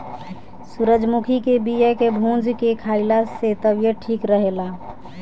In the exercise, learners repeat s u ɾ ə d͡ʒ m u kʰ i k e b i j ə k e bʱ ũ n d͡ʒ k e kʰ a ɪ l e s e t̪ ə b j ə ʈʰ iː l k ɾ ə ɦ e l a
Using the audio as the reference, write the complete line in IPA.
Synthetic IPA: s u ɾ ə d͡ʒ m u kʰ i k e b i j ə k e bʱ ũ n d͡ʒ k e kʰ a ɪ l a s e t̪ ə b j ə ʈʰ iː k ɾ ə ɦ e l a